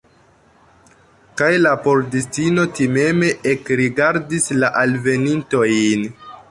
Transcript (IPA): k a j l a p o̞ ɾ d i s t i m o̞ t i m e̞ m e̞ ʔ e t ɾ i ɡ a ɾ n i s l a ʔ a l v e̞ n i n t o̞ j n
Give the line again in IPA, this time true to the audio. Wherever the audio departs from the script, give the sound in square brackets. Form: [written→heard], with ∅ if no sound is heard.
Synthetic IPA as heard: k a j l a p o̞ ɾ d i s t i [m→n] o̞ t i m e̞ m e̞ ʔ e [t→k] ɾ i ɡ a ɾ [n→d] i s l a ʔ a l v e̞ n i n t o̞ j n